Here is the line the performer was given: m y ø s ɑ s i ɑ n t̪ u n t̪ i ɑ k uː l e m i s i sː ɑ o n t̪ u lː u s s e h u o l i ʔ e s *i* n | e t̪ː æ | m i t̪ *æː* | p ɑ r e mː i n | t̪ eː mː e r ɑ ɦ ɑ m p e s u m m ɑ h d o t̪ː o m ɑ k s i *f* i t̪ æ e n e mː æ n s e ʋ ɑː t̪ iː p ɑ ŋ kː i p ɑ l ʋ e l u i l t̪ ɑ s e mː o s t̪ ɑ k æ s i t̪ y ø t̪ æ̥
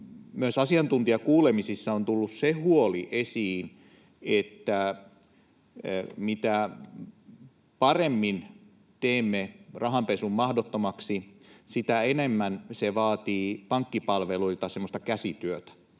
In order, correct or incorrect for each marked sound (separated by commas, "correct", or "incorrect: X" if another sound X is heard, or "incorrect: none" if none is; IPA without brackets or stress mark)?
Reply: incorrect: iː, incorrect: æ, incorrect: s